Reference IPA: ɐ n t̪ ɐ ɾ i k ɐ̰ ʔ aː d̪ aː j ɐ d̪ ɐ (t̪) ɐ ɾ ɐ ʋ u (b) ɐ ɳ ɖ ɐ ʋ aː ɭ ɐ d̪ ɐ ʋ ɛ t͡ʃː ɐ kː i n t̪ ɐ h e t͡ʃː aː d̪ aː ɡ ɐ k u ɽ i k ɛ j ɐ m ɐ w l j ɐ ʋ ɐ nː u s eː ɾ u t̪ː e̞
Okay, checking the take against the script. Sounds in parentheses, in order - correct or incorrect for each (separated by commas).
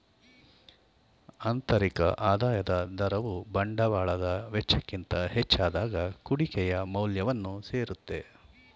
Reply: incorrect, correct